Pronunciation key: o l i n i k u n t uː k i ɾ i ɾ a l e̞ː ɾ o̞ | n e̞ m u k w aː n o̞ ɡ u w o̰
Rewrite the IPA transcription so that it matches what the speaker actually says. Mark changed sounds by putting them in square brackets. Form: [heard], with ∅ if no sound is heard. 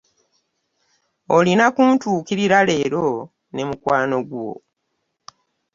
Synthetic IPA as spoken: o l i n [a] k u n t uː k i ɾ i ɾ a l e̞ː ɾ o̞ | n e̞ m u k w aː n o̞ ɡ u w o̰